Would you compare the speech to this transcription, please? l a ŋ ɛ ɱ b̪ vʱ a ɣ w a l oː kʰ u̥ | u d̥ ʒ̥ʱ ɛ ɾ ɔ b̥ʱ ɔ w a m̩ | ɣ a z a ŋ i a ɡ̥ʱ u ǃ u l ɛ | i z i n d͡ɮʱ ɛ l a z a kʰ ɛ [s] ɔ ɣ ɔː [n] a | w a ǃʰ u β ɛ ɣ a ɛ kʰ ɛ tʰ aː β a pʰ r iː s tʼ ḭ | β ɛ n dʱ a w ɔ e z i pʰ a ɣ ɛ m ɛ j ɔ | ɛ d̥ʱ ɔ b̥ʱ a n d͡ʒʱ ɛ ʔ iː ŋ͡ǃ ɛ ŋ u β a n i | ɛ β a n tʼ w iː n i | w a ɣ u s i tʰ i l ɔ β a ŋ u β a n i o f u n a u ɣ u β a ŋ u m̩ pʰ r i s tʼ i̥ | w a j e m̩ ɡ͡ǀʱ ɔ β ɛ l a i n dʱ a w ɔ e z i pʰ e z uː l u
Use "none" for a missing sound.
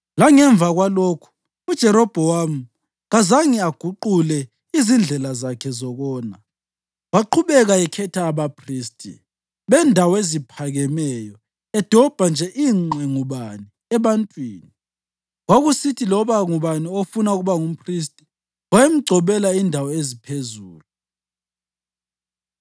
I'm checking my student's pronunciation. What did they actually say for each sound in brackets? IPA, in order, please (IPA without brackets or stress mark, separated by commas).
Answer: z, n